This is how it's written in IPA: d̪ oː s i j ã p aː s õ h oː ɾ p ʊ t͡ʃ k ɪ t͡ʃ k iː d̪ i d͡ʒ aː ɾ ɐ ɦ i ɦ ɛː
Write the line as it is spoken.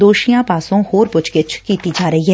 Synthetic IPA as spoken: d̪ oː ʃ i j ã p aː s õ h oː ɾ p ʊ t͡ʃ k ɪ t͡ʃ k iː t̪ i d͡ʒ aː ɾ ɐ ɦ i ɦ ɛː